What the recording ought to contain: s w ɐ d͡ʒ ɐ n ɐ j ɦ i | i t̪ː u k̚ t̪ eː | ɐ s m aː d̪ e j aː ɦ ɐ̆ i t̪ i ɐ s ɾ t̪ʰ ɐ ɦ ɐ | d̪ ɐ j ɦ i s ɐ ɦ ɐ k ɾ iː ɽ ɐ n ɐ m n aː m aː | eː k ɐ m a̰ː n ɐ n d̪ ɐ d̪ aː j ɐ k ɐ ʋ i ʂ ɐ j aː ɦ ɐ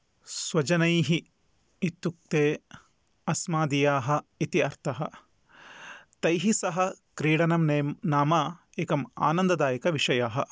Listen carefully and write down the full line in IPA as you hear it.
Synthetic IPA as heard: s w ɐ d͡ʒ ɐ n ɐ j ɦ i | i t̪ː u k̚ t̪ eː | ɐ s m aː d̪ i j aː ɦ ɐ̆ i t̪ i ɐ ɾ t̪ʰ ɐ ɦ ɐ | t̪ ɐ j ɦ i s ɐ ɦ ɐ k ɾ iː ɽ ɐ n ɐ m n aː m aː | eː k ɐ m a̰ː n ɐ n d̪ ɐ d̪ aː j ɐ k ɐ ʋ i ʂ ɐ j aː ɦ ɐ

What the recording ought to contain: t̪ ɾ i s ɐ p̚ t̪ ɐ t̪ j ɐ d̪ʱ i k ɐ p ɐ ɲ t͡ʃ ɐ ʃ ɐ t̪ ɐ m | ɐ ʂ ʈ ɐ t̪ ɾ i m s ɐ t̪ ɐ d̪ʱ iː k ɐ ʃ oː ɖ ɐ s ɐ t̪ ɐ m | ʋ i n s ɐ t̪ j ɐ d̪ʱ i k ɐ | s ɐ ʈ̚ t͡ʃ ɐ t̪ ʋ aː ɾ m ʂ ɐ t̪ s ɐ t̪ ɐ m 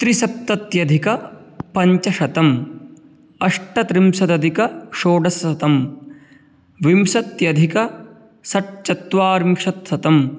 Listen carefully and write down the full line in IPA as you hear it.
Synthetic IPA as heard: t̪ ɾ i s ɐ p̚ t̪ ɐ t̪ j ɐ d̪ʱ i k ɐ p ɐ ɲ t͡ʃ ɐ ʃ ɐ t̪ ɐ m | ɐ ʂ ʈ ɐ t̪ ɾ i m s ɐ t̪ ɐ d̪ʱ i k ɐ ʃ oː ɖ ɐ s ɐ t̪ ɐ m | ʋ i m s ɐ t̪ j ɐ d̪ʱ i k ɐ | s ɐ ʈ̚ t͡ʃ ɐ t̪ ʋ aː ɾ m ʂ ɐ t̪ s ɐ t̪ ɐ m

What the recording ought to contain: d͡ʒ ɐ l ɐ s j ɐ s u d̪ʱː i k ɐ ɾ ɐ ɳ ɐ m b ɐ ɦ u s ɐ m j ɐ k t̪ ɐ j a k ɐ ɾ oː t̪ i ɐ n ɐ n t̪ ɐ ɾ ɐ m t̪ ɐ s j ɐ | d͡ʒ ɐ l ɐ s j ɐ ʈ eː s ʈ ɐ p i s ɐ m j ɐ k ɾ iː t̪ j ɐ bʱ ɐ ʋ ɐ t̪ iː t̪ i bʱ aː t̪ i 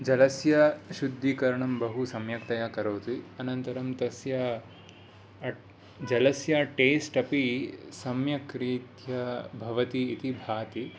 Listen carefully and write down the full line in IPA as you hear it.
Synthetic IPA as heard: d͡ʒ ɐ l ɐ s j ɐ ʃ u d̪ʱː i k ɐ ɾ ɐ ɳ ɐ m b ɐ ɦ u s ɐ m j ɐ k t̪ ɐ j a k ɐ ɾ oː t̪ i ɐ n ɐ n t̪ ɐ ɾ ɐ m t̪ ɐ s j ɐ | d͡ʒ ɐ l ɐ s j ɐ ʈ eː s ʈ ɐ p i s ɐ m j ɐ k ɾ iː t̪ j ɐ bʱ ɐ ʋ ɐ t̪ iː t̪ i bʱ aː t̪ i

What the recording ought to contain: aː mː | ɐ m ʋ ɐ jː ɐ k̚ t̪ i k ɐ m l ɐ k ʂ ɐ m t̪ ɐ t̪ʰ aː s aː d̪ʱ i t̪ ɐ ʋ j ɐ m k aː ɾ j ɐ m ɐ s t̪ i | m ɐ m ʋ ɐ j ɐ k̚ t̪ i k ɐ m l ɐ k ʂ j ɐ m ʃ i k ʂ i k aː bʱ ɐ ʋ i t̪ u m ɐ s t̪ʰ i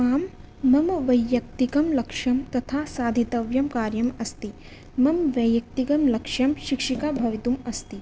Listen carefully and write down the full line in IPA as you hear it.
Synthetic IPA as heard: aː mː | ɐ m ʋ ɐ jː ɐ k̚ t̪ i k ɐ m l ɐ k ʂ ɐ m t̪ ɐ t̪ʰ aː s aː d̪ʱ i t̪ ɐ ʋ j ɐ m k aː ɾ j ɐ m ɐ s t̪ i | m ɐ m ʋ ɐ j ɐ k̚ t̪ i k ɐ m l ɐ k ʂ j ɐ m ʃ i k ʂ i k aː bʱ ɐ ʋ i t̪ u m ɐ s t̪ i

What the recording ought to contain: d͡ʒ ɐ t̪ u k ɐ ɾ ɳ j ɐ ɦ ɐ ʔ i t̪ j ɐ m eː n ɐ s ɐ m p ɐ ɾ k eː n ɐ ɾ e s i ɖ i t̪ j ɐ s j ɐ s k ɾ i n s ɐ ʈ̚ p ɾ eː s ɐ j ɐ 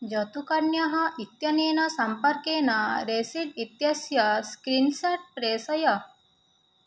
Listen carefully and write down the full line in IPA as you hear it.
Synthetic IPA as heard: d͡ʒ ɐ t̪ u k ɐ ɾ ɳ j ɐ ɦ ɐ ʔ i t̪ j ɐ n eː n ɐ s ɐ m p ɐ ɾ k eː n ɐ ɾ e s i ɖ i t̪ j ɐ s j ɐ s k ɾ i n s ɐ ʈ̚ p ɾ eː s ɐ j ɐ

